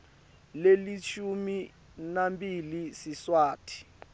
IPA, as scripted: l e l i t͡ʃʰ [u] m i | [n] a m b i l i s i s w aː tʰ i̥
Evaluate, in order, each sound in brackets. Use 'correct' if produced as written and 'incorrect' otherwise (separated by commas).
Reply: correct, correct